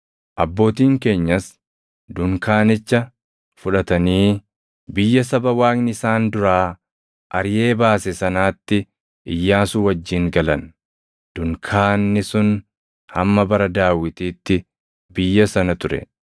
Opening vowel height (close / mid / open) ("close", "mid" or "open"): open